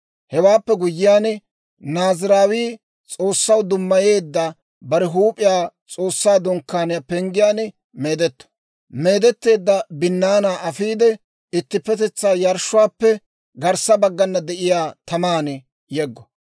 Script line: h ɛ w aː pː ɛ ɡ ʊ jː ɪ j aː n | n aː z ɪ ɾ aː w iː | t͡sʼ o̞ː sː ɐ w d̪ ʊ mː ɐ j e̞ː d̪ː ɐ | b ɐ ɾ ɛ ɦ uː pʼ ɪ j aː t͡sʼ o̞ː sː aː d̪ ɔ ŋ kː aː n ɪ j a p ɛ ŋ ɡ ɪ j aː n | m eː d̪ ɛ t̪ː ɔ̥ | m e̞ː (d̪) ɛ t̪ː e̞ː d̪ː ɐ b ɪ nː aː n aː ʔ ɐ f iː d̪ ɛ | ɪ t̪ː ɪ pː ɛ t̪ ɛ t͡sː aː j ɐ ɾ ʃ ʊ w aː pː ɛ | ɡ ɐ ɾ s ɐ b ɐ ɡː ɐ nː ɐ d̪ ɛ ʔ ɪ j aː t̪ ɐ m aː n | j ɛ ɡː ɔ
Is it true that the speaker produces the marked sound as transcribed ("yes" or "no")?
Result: yes